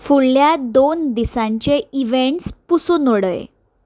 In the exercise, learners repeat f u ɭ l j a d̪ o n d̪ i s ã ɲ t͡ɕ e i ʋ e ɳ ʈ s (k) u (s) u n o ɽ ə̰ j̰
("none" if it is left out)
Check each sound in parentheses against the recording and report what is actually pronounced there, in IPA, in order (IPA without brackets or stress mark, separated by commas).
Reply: p, s